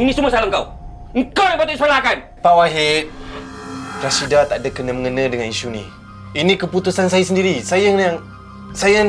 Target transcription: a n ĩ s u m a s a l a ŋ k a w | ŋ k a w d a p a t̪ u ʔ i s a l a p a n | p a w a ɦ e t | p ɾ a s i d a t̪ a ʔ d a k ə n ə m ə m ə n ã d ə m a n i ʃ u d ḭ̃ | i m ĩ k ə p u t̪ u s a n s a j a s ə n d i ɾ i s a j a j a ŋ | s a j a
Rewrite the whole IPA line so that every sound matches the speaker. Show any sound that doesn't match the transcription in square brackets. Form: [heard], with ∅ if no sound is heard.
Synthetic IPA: [i] n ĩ s u m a s a l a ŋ k a w | ŋ k a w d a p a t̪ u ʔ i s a l a [k] a n | p a w a ɦ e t | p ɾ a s i d a t̪ a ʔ d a k ə n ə m ə [ŋ] ə n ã d ə [ŋ] a n i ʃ u [n] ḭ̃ | i [n] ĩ k ə p u t̪ u s a n s a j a s ə n d i ɾ i s a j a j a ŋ | s a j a